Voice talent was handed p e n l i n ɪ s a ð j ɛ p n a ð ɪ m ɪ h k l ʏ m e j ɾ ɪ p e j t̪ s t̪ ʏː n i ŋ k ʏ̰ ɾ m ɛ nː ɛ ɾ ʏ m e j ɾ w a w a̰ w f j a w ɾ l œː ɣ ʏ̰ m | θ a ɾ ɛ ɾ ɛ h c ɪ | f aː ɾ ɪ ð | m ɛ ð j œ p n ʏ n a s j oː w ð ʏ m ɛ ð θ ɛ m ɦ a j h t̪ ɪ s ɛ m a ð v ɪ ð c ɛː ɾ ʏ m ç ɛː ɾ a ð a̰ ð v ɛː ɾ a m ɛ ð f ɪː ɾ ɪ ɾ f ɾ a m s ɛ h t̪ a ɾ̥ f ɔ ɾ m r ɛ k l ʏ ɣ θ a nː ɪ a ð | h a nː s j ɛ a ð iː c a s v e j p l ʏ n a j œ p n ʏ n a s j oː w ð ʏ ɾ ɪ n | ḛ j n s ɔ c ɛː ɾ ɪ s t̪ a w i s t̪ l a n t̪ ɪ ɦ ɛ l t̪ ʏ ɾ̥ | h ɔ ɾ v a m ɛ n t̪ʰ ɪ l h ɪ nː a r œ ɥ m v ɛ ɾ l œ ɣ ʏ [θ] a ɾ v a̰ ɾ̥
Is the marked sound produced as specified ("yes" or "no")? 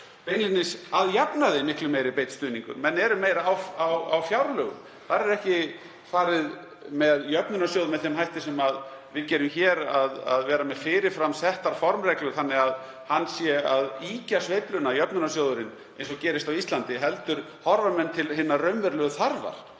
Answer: yes